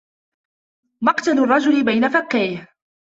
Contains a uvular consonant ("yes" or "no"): yes